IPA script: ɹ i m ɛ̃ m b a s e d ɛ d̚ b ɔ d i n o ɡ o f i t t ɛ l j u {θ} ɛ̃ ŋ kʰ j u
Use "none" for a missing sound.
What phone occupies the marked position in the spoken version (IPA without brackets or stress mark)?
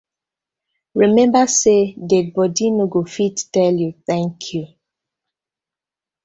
θ